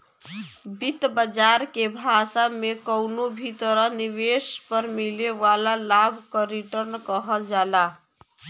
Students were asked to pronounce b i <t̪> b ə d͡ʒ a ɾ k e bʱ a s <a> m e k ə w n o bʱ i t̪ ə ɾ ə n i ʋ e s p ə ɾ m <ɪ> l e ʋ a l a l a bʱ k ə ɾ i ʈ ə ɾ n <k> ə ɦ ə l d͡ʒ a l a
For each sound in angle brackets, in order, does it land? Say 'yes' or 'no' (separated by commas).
yes, yes, no, yes